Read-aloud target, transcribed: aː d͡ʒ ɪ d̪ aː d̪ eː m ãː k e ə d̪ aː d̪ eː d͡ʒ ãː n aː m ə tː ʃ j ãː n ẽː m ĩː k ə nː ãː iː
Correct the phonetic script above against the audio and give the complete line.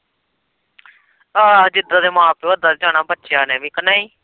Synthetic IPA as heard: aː d͡ʒ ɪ d̪ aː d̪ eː m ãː p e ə d̪ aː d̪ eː d͡ʒ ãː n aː b ə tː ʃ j aː n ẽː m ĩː k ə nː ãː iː